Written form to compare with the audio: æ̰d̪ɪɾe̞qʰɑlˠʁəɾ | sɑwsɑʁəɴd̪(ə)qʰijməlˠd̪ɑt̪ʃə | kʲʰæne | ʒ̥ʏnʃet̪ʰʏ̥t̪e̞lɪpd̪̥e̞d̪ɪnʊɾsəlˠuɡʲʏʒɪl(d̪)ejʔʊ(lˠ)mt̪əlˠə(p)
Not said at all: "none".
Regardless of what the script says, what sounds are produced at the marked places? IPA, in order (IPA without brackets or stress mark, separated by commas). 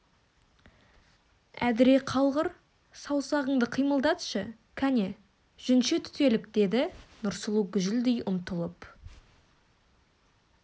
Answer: ə, d̪, none, p